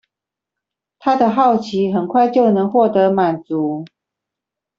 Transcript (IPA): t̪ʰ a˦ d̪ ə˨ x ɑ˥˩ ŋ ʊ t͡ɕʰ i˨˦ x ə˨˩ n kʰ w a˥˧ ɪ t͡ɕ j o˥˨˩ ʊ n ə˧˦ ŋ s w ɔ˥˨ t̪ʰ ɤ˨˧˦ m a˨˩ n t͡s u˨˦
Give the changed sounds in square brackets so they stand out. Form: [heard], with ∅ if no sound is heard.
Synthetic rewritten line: t̪ʰ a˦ d̪ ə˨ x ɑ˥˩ [∅] ʊ t͡ɕʰ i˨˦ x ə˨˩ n kʰ w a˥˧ ɪ t͡ɕ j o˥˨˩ ʊ n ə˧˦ ŋ [x] w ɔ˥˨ [t̪] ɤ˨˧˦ m a˨˩ n t͡s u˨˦